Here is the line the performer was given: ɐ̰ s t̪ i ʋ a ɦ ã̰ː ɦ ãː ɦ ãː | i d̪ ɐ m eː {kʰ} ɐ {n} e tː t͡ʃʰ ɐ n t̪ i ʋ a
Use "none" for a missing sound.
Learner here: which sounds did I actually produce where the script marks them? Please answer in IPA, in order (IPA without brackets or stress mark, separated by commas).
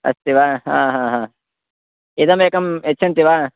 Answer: k, m